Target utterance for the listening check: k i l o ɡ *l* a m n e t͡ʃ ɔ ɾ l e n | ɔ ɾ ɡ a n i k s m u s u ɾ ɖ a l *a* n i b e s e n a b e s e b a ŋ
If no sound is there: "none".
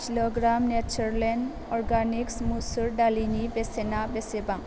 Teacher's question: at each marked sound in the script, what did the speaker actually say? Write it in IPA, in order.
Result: ɾ, i

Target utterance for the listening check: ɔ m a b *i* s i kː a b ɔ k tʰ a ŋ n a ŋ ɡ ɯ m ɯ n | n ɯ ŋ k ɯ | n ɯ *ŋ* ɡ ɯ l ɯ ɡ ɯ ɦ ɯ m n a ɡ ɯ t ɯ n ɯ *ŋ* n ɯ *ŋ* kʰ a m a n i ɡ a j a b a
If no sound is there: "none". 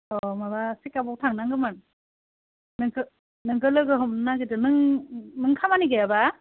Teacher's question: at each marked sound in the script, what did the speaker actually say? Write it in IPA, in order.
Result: a, ŋ, ŋ, ŋ

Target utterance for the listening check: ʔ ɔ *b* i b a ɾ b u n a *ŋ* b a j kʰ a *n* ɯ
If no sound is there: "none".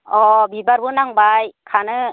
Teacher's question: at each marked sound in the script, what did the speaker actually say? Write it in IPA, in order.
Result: b, ŋ, n

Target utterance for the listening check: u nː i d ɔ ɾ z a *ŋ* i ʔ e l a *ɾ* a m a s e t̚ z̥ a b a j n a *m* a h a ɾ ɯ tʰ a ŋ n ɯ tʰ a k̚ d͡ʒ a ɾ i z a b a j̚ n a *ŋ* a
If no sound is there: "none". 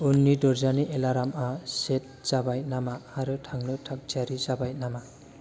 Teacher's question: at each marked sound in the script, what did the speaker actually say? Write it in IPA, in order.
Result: n, ɾ, m, m

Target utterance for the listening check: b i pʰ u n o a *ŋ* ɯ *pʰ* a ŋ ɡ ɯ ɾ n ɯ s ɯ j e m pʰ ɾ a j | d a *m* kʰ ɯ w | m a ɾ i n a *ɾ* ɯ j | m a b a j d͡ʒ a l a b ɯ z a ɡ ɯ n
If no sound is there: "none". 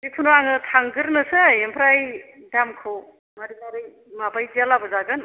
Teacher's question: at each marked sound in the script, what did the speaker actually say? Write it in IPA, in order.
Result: ŋ, tʰ, m, ɾ

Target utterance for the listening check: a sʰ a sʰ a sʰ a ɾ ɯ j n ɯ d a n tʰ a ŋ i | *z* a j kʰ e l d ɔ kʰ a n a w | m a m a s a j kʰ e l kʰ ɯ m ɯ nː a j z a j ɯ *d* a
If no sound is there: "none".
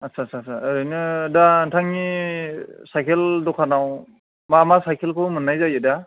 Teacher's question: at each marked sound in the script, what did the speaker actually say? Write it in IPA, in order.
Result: s, d

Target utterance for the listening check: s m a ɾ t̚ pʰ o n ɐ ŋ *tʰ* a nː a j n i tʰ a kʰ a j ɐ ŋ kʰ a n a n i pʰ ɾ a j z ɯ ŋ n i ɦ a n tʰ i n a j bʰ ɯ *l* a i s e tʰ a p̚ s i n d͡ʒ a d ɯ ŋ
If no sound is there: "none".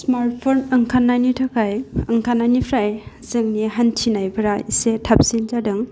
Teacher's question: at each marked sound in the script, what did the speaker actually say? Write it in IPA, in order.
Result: kʰ, ɾ

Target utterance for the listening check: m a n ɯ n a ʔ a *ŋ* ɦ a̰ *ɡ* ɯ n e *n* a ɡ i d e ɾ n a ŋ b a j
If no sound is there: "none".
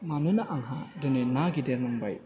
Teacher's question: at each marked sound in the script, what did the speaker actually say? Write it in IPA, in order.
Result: ŋ, d, n

